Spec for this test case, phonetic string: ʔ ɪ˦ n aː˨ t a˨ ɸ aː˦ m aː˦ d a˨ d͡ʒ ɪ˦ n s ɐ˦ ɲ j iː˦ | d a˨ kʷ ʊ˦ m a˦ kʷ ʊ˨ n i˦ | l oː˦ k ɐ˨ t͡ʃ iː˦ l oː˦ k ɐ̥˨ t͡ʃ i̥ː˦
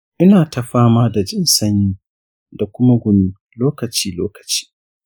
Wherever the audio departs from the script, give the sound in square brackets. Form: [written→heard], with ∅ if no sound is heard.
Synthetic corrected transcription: ʔ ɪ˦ n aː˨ t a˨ ɸ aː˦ m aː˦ d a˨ d͡ʒ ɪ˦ n s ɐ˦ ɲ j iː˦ | d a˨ kʷ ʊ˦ m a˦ [kʷ→ɡʷ] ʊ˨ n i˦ | l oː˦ k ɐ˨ t͡ʃ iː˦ l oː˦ k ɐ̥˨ t͡ʃ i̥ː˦